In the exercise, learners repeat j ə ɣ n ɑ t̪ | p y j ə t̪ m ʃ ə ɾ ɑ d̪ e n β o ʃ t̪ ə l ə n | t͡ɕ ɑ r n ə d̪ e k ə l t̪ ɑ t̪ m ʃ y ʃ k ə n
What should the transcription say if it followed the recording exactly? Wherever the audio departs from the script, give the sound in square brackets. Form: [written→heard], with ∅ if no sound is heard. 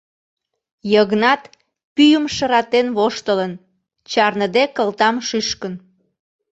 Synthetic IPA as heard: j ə ɣ n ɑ t̪ | p y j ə [t̪→∅] m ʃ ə ɾ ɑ [d̪→t̪] e n β o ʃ t̪ ə l ə n | t͡ɕ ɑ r n ə d̪ e k ə l t̪ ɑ [t̪→∅] m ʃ y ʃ k ə n